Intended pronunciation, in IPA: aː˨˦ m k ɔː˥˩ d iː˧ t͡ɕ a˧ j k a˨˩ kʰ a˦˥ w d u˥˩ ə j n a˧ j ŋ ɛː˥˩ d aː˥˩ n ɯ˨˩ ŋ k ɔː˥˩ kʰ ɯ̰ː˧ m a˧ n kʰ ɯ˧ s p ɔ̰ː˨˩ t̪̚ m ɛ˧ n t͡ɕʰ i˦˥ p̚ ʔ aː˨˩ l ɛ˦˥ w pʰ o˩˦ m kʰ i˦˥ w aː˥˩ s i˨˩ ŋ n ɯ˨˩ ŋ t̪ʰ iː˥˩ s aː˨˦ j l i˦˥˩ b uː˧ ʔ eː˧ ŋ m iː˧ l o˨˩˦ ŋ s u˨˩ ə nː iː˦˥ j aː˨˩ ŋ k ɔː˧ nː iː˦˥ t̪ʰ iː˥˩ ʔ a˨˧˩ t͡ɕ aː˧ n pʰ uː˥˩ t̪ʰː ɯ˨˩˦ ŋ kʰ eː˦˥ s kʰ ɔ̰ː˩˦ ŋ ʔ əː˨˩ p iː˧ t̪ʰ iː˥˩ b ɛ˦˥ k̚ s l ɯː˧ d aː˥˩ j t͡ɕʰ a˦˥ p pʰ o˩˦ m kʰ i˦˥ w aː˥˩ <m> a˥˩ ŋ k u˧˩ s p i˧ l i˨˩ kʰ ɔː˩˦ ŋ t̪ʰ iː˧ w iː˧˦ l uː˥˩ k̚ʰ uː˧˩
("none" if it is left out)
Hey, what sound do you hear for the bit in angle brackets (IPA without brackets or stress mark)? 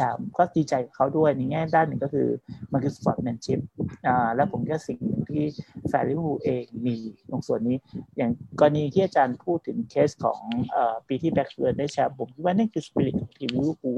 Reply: n